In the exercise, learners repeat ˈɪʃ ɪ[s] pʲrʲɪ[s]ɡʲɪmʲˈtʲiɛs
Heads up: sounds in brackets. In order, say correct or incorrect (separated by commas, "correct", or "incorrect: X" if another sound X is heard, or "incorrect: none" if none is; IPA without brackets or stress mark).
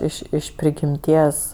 incorrect: ʃ, incorrect: none